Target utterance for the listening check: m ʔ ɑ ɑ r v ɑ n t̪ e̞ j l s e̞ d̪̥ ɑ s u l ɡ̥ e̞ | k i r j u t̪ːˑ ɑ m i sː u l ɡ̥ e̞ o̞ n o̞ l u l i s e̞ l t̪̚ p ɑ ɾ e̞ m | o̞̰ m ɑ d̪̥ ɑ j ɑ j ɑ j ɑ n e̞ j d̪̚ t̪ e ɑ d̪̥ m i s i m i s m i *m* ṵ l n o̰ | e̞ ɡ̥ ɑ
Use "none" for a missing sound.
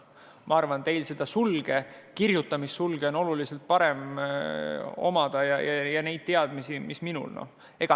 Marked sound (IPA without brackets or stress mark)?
n